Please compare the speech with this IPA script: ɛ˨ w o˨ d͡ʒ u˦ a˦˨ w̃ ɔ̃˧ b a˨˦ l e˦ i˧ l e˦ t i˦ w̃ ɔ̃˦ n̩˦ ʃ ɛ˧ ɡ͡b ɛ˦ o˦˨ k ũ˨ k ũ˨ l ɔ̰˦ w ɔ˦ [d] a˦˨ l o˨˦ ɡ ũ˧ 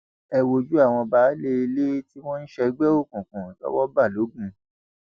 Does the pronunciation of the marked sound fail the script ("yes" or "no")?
yes